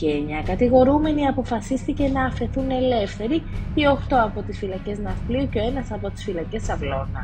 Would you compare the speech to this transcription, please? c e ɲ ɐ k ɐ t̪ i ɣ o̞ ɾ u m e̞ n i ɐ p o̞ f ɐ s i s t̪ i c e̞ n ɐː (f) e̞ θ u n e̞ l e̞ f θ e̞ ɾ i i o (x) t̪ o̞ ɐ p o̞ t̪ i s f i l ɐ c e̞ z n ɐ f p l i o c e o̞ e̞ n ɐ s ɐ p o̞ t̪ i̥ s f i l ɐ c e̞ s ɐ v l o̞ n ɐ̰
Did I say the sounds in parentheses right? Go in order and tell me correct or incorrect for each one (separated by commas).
correct, correct